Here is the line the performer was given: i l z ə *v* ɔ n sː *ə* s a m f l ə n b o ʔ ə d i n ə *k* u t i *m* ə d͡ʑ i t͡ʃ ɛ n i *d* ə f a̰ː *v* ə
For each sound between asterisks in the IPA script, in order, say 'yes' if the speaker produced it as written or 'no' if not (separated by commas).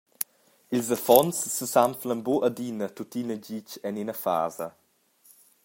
no, yes, no, no, no, no